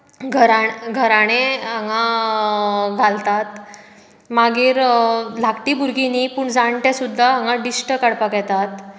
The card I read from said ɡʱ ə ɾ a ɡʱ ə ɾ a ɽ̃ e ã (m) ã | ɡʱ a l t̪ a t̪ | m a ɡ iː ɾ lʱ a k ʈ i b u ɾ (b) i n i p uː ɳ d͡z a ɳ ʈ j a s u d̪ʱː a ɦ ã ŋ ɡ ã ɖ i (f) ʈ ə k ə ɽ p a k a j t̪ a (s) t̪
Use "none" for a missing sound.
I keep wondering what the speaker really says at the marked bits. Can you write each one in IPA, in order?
ŋ, ɡ, s, none

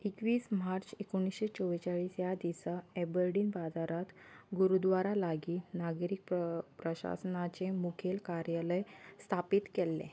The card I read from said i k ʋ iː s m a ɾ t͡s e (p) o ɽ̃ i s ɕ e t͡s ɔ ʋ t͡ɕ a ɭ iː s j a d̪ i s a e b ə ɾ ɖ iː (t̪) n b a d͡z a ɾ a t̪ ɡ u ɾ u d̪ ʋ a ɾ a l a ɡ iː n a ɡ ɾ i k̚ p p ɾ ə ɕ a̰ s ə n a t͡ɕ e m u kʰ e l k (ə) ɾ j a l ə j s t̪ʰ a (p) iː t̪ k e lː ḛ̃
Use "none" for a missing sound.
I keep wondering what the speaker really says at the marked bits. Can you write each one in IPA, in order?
k, none, a, p

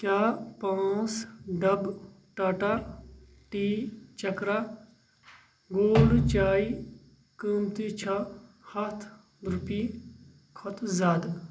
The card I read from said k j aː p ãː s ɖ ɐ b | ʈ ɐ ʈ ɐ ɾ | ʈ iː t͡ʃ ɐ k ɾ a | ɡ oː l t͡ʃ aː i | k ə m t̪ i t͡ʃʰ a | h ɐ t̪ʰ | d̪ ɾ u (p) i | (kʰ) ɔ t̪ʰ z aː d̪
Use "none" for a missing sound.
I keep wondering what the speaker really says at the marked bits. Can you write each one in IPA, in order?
p, kʰ

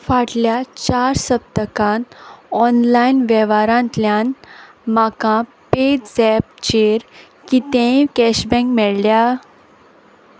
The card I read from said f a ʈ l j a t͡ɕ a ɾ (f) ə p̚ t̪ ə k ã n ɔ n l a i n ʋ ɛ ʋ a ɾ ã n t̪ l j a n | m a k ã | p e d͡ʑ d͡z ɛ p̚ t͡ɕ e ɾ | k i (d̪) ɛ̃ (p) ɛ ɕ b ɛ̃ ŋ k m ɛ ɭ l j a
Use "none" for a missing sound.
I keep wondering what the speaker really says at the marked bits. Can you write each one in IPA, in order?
s, t̪, k

